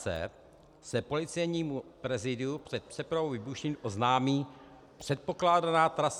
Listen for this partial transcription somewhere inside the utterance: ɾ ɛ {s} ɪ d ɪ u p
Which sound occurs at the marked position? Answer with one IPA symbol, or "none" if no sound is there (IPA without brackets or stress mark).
z